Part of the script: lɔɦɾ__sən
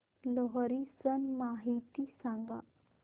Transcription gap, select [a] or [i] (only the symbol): i